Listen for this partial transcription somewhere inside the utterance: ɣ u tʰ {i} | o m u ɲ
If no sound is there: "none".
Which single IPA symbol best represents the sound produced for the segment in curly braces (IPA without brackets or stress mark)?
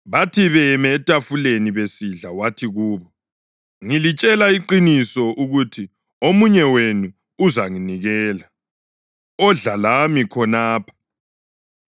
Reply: i